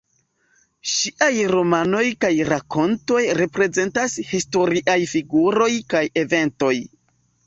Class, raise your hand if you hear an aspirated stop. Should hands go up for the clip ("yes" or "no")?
no